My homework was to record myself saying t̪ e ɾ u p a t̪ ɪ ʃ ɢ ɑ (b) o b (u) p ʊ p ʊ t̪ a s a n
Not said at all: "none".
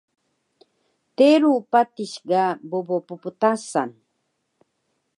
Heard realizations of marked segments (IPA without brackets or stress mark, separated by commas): b, o